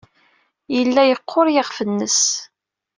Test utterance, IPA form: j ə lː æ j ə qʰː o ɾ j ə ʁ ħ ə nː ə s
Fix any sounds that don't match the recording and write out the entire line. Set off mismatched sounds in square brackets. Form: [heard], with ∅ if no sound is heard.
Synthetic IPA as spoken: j ə lː æ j ə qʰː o ɾ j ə ʁ [f] ə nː ə s